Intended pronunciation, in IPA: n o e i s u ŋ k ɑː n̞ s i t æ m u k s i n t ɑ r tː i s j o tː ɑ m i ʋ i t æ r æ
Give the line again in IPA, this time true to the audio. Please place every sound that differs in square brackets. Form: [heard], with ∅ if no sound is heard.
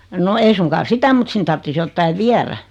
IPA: n o e i s u ŋ k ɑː n̞ s i t æ m u [t] s i n t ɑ r tː i s j o tː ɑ [∅] i ʋ i [∅] æ r æ